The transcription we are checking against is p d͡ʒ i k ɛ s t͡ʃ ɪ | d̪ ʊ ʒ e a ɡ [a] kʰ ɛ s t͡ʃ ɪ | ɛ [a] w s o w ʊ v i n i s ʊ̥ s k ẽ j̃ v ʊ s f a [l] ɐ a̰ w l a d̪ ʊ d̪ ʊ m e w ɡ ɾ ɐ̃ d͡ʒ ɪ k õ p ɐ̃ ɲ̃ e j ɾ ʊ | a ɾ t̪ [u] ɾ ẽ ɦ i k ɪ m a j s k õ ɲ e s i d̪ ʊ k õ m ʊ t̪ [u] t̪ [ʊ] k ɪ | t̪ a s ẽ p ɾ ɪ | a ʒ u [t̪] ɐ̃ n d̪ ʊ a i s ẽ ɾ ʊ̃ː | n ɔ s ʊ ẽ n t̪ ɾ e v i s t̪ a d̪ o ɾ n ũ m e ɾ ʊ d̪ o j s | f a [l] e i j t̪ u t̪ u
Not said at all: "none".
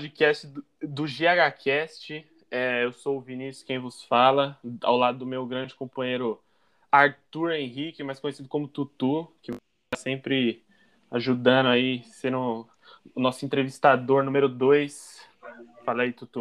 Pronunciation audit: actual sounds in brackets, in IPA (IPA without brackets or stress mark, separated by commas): a, e, l, u, u, u, d̪, l